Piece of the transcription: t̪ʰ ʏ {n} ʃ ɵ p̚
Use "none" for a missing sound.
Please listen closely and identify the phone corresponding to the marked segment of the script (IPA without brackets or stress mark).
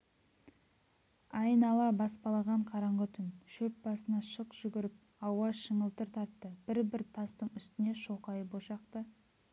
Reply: n